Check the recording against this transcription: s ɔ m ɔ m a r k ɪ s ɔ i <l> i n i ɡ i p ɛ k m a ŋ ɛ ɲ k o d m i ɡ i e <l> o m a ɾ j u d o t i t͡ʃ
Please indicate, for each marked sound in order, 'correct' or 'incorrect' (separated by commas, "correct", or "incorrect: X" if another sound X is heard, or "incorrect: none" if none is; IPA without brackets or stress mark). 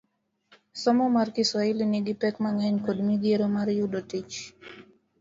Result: correct, incorrect: ɾ